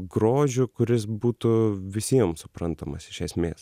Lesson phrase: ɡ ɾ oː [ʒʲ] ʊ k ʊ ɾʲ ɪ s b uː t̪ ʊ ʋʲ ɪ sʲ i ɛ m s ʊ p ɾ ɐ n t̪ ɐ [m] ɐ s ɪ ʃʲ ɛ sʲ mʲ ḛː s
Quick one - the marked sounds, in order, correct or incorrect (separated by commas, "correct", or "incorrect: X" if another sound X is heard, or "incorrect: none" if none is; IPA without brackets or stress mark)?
correct, correct